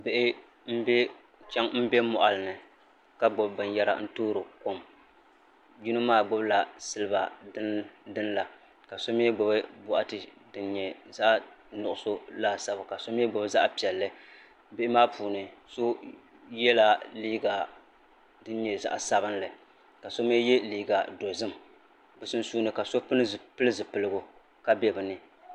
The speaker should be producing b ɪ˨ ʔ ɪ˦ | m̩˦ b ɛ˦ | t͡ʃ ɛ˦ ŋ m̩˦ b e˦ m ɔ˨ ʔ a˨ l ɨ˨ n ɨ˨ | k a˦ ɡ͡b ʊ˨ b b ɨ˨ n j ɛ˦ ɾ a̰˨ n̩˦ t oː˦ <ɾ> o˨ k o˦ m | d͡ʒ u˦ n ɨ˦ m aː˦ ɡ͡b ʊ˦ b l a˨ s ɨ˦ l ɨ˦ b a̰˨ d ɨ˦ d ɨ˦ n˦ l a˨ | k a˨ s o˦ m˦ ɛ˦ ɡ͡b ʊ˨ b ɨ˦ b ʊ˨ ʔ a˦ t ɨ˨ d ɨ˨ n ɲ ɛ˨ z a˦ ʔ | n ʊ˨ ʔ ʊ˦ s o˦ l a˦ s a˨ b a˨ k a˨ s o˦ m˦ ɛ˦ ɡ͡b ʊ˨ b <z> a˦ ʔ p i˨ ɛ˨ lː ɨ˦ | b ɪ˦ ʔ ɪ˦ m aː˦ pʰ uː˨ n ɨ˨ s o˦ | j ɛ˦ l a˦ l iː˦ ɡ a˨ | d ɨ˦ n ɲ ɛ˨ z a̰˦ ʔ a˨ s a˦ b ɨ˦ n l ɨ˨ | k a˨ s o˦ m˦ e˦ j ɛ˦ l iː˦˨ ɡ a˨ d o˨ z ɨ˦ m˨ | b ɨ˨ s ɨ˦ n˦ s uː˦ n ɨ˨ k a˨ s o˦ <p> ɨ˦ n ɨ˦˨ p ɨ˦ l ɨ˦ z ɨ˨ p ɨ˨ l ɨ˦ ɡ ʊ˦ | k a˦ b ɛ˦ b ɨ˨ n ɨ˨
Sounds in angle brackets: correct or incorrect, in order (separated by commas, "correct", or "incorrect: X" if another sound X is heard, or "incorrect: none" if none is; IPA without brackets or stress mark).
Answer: correct, correct, correct